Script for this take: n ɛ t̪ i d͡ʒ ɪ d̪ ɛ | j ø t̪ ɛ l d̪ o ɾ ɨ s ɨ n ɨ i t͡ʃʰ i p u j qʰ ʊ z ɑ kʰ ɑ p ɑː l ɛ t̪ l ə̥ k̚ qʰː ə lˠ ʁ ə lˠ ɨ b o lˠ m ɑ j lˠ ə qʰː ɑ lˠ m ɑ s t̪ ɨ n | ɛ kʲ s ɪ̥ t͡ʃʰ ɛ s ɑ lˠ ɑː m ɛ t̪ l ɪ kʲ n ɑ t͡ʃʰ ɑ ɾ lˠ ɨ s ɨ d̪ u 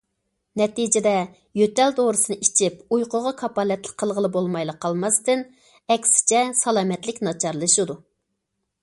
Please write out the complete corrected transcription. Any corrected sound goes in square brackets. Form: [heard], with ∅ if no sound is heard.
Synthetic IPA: n ɛ t̪ i d͡ʒ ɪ d̪ ɛ | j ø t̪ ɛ l d̪ o ɾ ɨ s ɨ n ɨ i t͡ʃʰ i p u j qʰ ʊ [ʁ] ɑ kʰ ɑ p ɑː l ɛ t̪ l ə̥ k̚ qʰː ə lˠ ʁ ə lˠ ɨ b o lˠ m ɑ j lˠ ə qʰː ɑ lˠ m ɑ s t̪ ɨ n | ɛ kʲ s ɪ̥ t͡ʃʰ ɛ s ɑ lˠ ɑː m ɛ t̪ l ɪ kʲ n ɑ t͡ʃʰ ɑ ɾ lˠ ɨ [ʃ] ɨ d̪ u